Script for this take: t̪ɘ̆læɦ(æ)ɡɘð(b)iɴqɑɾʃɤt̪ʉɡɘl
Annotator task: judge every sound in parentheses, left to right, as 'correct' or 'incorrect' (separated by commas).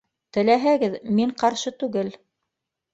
correct, incorrect